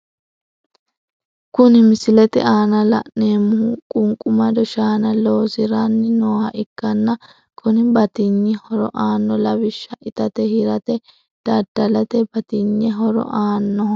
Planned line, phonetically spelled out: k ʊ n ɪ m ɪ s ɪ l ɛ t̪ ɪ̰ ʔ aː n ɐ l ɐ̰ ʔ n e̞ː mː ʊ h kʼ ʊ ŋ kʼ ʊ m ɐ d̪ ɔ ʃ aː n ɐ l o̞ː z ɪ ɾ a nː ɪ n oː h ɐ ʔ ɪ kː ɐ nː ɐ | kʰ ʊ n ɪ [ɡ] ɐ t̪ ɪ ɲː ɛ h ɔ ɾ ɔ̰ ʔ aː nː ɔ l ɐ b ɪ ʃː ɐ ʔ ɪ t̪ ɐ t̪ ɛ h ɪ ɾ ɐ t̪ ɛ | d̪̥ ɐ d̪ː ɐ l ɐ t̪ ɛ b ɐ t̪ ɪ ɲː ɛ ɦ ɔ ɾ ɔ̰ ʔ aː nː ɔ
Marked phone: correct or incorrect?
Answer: incorrect: b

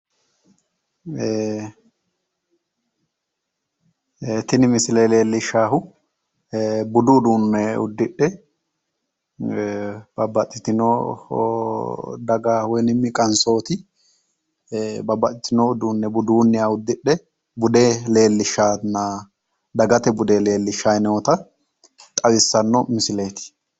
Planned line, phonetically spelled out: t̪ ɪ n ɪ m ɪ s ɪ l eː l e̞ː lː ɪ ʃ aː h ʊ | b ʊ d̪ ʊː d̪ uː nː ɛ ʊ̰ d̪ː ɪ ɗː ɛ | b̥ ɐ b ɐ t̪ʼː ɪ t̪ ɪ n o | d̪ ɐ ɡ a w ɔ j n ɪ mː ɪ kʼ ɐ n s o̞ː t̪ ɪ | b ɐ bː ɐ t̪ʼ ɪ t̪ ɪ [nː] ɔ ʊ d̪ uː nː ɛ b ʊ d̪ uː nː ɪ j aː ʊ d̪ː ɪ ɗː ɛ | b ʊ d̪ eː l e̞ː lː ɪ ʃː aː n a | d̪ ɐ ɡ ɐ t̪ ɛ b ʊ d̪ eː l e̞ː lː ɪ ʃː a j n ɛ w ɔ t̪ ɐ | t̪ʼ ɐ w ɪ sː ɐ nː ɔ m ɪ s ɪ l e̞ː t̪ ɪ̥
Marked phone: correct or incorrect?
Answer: incorrect: n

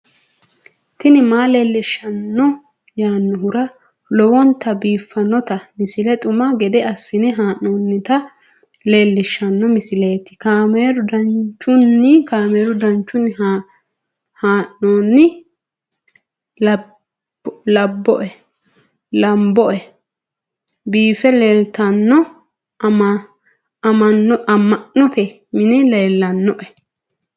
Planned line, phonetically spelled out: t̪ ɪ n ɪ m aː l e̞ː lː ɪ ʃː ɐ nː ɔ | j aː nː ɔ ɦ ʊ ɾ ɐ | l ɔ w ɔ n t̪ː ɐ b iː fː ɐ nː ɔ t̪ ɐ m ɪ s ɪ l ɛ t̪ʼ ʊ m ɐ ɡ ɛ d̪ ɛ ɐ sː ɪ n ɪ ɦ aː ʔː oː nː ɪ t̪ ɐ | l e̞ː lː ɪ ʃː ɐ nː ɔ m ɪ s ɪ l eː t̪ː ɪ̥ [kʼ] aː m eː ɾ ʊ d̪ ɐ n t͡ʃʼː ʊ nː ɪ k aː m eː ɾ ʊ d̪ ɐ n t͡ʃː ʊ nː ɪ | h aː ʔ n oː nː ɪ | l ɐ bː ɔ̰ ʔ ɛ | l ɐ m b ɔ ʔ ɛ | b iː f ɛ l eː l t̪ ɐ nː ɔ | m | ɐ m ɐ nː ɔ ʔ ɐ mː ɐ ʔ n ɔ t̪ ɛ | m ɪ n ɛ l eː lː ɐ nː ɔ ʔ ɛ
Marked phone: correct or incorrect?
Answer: incorrect: k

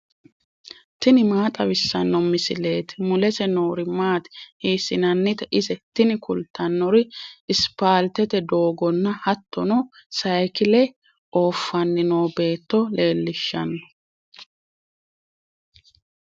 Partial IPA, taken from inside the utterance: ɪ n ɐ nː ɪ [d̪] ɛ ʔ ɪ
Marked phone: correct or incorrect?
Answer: incorrect: t̪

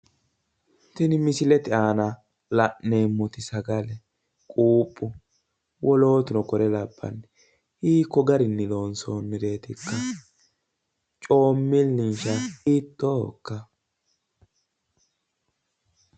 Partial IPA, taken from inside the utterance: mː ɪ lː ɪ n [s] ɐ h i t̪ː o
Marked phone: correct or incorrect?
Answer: incorrect: ʃ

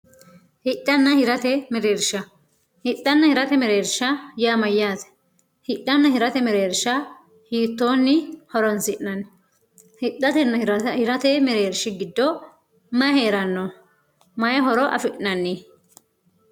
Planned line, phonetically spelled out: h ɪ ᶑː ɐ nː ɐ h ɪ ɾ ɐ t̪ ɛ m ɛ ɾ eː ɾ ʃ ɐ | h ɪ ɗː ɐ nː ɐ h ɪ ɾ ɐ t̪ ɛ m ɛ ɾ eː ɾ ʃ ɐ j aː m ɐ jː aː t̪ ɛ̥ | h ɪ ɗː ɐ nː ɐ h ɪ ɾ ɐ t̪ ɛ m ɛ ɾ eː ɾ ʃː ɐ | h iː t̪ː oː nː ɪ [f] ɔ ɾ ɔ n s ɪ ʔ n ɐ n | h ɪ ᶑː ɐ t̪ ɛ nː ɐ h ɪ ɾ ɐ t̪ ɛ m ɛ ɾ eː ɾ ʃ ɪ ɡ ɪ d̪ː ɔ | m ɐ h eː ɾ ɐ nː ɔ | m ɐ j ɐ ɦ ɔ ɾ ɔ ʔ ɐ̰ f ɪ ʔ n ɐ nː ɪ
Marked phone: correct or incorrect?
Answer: incorrect: h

